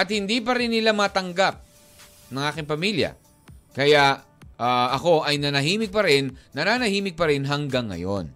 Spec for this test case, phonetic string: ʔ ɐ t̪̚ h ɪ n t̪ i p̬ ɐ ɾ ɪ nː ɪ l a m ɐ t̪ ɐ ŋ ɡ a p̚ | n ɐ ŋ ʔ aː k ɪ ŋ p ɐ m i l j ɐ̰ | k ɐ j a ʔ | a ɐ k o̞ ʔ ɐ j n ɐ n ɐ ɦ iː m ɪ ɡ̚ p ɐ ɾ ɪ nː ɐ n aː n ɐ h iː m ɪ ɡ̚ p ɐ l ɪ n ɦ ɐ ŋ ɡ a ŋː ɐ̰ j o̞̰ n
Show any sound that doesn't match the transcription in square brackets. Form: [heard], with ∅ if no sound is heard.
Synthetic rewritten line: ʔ ɐ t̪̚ h ɪ n [d̪] i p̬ ɐ ɾ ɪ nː ɪ l a m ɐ t̪ ɐ ŋ ɡ a p̚ | n ɐ ŋ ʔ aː k ɪ ŋ p ɐ m i l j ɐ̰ | k ɐ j a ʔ | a ɐ k o̞ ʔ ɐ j n ɐ n ɐ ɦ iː m ɪ ɡ̚ p ɐ ɾ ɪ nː ɐ n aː n ɐ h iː m ɪ ɡ̚ p ɐ [ɾ] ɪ n ɦ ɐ ŋ ɡ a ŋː ɐ̰ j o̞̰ n